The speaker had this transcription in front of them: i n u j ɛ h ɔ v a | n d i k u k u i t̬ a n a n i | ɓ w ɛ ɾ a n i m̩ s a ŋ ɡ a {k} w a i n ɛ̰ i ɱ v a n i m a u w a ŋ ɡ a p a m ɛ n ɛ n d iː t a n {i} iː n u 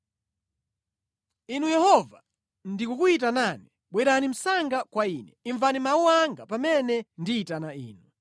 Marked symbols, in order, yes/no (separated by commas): yes, no